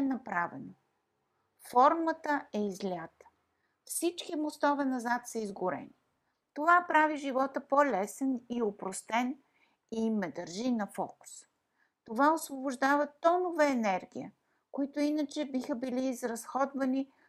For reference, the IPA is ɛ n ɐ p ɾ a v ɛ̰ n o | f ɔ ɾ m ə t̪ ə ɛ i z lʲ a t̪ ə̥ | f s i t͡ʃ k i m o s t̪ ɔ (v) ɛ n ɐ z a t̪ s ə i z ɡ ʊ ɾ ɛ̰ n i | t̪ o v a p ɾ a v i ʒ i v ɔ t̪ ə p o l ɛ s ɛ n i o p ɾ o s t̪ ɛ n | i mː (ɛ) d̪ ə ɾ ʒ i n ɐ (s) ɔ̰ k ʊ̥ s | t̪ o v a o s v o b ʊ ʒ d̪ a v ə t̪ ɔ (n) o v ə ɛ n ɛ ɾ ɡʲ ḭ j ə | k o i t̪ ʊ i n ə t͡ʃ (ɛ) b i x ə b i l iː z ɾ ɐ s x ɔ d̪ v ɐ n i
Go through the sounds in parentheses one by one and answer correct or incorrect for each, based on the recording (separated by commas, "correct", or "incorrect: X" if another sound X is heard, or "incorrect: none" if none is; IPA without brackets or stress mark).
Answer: correct, correct, incorrect: f, correct, correct